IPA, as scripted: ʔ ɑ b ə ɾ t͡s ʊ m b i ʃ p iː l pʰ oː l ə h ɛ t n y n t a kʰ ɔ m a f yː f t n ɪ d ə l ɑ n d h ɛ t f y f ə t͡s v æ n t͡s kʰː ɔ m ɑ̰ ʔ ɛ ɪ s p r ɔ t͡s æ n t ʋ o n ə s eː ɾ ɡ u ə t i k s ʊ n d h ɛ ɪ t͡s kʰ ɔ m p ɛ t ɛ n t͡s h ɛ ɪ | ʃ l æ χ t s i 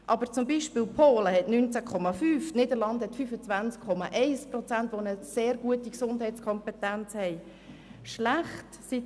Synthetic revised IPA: ʔ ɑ b ə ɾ t͡s ʊ m b i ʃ p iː l pʰ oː l ə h ɛ t n y n t͡s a kʰ ɔ m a f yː f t n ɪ d ə l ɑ n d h ɛ t f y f ə t͡s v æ n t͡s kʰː ɔ m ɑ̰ ʔ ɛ ɪ s p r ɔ t͡s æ n t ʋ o n ə s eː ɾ ɡ u ə t i k s ʊ n d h ɛ ɪ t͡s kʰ ɔ m p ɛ t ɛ n t͡s h ɛ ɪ | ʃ l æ χ t s i